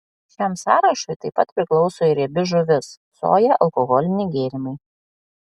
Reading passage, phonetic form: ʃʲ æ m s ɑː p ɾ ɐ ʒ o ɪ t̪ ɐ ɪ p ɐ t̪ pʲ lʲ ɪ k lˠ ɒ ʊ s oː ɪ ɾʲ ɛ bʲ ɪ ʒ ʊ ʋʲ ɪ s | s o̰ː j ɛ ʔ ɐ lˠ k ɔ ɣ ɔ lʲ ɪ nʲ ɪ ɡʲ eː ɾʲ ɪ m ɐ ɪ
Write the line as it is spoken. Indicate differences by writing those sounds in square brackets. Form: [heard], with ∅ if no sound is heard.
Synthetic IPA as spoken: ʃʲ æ m s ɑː [∅] ɾ ɐ [ʃ] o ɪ t̪ ɐ ɪ p ɐ t̪ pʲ [ɾʲ] ɪ k lˠ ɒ ʊ s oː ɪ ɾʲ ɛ bʲ ɪ ʒ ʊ ʋʲ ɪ s | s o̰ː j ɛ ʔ ɐ lˠ k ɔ ɣ ɔ lʲ ɪ nʲ ɪ ɡʲ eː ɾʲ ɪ m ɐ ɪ